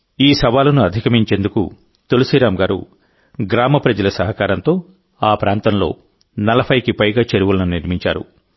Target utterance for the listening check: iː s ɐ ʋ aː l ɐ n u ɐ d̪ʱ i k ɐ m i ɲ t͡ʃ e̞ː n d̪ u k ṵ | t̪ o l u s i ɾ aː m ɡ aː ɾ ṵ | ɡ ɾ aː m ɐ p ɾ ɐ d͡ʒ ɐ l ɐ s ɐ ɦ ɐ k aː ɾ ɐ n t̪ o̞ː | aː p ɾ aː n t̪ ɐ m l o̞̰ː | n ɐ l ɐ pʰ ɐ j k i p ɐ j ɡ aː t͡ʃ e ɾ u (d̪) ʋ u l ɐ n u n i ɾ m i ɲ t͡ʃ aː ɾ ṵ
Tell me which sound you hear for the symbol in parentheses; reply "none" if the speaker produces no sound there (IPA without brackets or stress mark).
none